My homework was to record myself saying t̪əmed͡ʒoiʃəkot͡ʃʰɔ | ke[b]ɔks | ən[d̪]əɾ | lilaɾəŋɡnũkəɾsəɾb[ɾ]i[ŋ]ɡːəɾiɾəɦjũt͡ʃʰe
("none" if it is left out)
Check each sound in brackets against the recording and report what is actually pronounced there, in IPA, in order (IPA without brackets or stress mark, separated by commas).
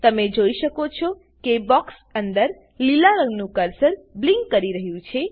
b, d̪, l, ŋ